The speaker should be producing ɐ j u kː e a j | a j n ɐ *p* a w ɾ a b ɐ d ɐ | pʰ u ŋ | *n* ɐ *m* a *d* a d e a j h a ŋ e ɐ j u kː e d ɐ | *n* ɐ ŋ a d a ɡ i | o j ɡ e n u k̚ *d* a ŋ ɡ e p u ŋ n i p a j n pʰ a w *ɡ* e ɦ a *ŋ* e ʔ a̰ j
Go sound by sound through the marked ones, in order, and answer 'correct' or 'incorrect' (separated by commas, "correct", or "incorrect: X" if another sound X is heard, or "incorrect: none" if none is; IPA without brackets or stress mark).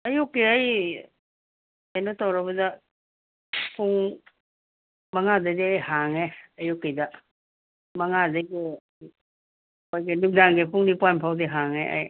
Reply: incorrect: t, incorrect: m, incorrect: ŋ, correct, incorrect: m, correct, incorrect: d, correct